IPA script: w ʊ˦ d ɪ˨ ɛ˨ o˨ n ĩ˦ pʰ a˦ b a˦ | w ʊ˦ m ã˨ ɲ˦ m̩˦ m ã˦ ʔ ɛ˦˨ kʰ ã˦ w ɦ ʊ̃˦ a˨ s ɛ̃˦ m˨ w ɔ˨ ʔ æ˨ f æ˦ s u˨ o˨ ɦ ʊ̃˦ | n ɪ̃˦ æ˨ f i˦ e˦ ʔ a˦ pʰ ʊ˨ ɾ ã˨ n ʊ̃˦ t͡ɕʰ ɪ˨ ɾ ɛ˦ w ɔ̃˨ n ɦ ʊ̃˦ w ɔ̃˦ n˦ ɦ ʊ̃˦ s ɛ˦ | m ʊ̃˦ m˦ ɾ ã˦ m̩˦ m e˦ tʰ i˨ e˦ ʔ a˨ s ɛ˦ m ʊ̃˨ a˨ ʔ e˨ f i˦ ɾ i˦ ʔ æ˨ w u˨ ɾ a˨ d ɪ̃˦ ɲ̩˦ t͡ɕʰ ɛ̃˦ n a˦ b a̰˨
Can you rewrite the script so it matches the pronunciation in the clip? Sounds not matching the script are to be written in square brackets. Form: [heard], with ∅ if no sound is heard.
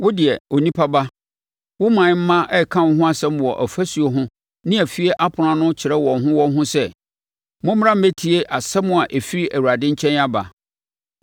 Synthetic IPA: w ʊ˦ d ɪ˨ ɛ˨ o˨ n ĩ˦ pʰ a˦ b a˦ | w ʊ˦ m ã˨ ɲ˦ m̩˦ m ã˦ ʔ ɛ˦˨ kʰ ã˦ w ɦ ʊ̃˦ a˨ s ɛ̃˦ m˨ w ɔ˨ ʔ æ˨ f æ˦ s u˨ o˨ ɦ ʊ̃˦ | n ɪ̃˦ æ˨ f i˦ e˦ ʔ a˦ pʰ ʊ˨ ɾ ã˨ n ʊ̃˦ t͡ɕʰ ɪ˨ ɾ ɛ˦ w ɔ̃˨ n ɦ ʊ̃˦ w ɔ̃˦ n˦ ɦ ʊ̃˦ s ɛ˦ | m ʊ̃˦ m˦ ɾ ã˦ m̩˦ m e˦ tʰ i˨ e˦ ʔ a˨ s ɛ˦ m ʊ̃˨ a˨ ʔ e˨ f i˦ ɾ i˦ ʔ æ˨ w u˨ ɾ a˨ d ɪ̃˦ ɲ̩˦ t͡ɕʰ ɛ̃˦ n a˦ b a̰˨